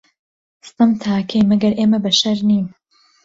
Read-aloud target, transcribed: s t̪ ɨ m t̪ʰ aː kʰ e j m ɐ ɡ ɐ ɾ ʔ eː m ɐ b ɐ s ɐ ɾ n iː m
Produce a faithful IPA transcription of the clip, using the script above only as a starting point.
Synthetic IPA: s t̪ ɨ m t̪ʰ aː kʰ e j m ɐ ɡ ɐ ɾ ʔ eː m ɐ b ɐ ʃ ɐ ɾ n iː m